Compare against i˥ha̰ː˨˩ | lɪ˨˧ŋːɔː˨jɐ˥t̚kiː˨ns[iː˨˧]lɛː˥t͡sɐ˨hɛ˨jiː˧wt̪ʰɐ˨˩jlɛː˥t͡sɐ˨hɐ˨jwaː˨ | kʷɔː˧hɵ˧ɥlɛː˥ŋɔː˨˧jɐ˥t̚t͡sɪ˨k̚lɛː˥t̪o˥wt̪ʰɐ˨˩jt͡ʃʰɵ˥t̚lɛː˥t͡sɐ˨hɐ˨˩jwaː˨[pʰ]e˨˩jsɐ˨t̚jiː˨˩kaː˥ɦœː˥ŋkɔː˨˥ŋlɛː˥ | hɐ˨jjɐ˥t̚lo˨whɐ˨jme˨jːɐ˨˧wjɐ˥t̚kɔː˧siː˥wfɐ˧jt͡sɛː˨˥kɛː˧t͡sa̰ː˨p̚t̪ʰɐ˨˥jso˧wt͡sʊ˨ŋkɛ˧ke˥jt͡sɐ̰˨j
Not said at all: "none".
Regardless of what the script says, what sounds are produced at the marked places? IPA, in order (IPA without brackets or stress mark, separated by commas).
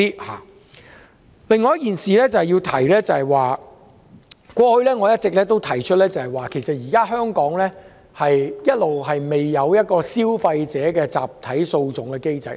iː˨˧, kʰ